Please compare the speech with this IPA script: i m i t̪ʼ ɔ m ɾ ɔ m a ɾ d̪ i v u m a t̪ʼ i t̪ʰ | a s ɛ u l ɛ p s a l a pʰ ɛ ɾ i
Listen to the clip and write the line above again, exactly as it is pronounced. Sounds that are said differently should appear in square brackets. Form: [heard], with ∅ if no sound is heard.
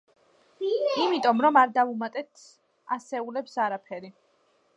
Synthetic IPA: i m i t̪ʼ ɔ m ɾ ɔ m a ɾ d̪ [a] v u m a t̪ʼ [ɛ] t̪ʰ | a s ɛ u l ɛ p s a [ɾ] a pʰ ɛ ɾ i

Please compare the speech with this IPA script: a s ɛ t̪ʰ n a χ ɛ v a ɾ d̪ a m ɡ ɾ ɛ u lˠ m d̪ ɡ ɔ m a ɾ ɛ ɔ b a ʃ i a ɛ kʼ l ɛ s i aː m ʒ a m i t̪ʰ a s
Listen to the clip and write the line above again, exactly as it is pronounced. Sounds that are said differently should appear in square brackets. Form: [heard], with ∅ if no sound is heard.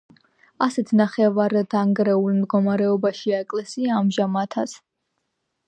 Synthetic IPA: a s ɛ t̪ʰ n a χ ɛ v a ɾ d̪ a [ŋ] ɡ ɾ ɛ u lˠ m d̪ ɡ ɔ m a ɾ ɛ ɔ b a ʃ i a ɛ kʼ l ɛ s i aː m ʒ a m [a] t̪ʰ a s

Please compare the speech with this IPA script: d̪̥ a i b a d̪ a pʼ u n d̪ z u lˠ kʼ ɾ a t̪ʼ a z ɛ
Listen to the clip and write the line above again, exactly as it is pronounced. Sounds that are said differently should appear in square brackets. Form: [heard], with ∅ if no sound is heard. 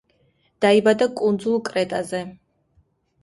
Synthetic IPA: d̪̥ a i b a d̪ a [kʼ] u n d̪ z u lˠ kʼ ɾ [ɛ] t̪ʼ a z ɛ

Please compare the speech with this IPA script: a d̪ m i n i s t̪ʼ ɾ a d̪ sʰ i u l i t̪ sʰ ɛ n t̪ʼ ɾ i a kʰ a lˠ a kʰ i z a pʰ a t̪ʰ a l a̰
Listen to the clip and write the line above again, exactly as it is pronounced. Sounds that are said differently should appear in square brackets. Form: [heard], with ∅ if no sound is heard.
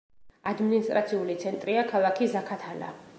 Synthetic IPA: a d̪ m i n i s t̪ʼ ɾ a [t̪] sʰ i u l i t̪ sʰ ɛ n t̪ʼ ɾ i a kʰ a lˠ a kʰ i z a [kʰ] a t̪ʰ a l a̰

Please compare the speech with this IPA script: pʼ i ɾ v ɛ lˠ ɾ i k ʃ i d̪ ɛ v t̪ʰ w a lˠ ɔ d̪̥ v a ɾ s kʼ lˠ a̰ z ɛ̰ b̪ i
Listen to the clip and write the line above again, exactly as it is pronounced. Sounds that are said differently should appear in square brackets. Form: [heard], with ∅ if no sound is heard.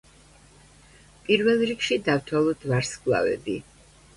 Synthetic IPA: pʼ i ɾ v ɛ lˠ ɾ i k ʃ i d̪ [a] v t̪ʰ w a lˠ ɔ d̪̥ v a ɾ s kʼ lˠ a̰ [v] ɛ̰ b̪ i

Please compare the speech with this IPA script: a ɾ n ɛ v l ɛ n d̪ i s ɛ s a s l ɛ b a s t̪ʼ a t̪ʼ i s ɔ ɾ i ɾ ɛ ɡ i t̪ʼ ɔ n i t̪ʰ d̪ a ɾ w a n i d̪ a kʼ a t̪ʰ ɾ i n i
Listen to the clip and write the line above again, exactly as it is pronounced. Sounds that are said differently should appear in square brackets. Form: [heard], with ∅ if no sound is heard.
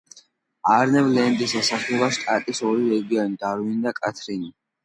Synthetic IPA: a ɾ n ɛ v l ɛ n d̪ i s ɛ s a [χ] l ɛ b a [ʃ] t̪ʼ a t̪ʼ i s ɔ ɾ i ɾ ɛ ɡ i [∅] ɔ n i [∅] d̪ a ɾ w [i] n i d̪ a kʼ a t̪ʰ ɾ i n i

